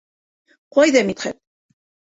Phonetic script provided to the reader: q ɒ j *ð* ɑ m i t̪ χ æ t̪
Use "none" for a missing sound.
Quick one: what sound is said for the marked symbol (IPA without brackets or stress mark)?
ð